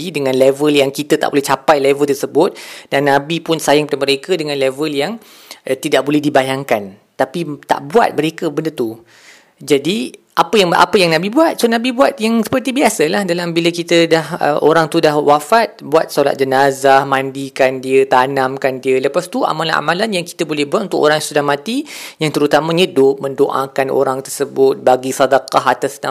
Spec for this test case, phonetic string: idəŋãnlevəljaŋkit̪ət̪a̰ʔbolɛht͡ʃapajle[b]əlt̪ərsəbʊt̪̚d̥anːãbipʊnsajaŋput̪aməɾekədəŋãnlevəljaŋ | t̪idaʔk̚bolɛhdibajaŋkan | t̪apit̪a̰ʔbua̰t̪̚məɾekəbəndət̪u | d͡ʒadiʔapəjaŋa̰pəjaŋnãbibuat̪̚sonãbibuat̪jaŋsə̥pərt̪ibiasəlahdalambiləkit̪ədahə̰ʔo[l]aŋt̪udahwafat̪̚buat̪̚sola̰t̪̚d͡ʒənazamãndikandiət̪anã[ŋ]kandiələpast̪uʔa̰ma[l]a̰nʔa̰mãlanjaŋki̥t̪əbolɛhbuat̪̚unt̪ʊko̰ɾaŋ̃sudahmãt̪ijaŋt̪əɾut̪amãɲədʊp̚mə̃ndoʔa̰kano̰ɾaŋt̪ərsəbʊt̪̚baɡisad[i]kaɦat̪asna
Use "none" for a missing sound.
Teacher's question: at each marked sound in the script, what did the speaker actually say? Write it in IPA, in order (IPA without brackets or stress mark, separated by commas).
v, ɾ, m, l, a